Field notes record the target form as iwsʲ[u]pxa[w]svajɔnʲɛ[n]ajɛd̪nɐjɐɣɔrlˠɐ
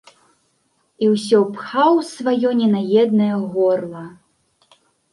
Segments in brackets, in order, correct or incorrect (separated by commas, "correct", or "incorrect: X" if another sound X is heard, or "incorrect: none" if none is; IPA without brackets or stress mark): incorrect: ɔ, correct, correct